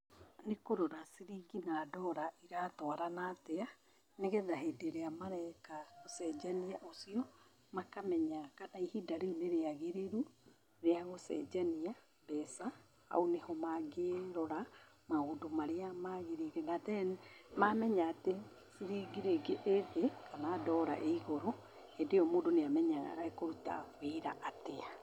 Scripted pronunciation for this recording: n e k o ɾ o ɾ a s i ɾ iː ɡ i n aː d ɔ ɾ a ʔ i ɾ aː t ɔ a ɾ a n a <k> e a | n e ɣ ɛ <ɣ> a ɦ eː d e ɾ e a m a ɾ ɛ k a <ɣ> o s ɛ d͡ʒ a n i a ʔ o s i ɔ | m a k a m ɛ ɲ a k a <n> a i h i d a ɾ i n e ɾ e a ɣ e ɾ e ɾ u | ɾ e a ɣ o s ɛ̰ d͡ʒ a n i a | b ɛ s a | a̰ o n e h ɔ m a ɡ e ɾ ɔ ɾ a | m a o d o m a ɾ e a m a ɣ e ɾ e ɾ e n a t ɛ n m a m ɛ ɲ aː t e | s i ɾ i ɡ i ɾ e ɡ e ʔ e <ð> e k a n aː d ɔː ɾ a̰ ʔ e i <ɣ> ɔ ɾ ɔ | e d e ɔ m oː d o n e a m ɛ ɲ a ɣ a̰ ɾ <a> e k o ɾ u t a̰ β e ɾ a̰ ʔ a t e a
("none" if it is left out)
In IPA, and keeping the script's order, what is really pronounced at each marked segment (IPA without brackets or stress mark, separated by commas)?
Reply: t, ð, ɣ, n, ð, ɣ, a